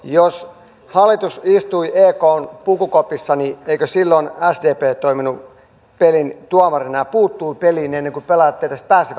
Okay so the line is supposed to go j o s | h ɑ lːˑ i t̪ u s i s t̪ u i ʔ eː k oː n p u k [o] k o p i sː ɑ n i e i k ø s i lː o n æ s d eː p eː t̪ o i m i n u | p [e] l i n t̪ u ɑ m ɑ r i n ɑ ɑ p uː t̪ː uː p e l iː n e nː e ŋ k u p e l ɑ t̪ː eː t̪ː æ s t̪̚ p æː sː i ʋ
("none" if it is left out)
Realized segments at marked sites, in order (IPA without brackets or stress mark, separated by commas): u, e